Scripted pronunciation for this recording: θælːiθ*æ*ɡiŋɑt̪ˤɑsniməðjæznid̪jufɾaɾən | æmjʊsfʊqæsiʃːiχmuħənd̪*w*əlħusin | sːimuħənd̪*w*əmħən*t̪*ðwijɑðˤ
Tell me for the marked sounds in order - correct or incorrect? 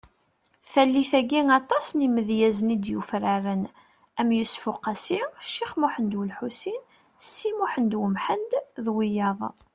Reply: correct, correct, correct, incorrect

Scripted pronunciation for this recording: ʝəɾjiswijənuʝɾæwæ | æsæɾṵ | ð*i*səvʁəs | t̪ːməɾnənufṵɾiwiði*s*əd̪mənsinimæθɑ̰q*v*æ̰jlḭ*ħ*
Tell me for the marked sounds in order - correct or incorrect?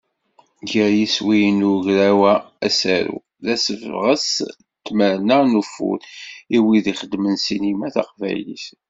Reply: incorrect, incorrect, correct, incorrect

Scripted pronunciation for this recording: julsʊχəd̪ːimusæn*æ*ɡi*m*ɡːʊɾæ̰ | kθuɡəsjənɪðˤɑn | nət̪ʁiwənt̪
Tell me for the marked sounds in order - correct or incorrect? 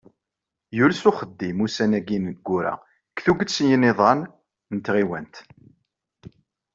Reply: correct, incorrect

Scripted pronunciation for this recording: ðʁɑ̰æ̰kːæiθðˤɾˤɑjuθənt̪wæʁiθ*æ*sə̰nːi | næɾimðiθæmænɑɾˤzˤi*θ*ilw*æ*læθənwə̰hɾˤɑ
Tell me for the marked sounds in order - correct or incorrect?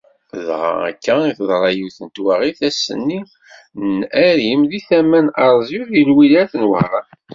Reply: correct, incorrect, incorrect

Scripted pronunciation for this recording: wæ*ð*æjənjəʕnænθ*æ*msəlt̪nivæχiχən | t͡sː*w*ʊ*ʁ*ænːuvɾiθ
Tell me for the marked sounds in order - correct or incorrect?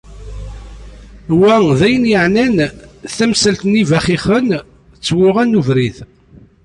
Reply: correct, correct, correct, correct

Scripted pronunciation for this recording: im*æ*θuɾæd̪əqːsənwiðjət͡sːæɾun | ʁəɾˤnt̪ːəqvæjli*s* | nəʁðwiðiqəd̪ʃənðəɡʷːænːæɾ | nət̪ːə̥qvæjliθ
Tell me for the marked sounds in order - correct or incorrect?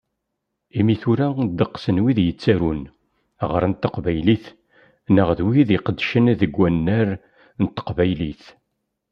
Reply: incorrect, incorrect

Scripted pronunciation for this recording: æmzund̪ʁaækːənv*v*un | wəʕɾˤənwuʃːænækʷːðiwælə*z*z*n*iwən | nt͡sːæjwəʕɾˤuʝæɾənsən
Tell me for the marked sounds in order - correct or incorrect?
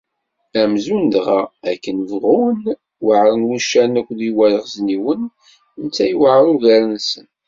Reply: incorrect, incorrect, correct

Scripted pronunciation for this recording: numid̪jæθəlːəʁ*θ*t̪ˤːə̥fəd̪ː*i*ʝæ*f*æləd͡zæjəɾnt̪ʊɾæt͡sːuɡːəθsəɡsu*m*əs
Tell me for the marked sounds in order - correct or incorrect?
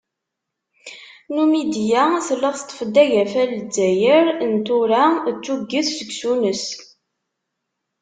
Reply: correct, incorrect, correct, incorrect

